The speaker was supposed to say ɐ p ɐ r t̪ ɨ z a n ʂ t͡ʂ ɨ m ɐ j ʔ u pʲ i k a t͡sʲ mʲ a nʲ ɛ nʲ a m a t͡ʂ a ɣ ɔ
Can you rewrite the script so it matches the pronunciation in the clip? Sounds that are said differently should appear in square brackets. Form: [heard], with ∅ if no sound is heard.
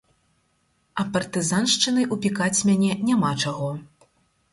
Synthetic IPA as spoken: ɐ p ɐ r t̪ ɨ z a n ʂ t͡ʂ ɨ [n] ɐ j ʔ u pʲ i k a t͡sʲ mʲ a nʲ ɛ nʲ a m a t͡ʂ a ɣ ɔ